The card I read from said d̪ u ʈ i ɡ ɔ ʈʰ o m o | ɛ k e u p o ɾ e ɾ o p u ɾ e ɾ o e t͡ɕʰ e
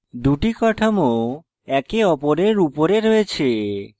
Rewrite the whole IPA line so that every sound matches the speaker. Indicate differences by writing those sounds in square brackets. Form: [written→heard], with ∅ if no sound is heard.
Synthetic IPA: d̪ u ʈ i [ɡ→k] ɔ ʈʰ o m o | ɛ k e [u→ɔ] p o ɾ e ɾ [o→u] p [u→o] ɾ e ɾ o e t͡ɕʰ e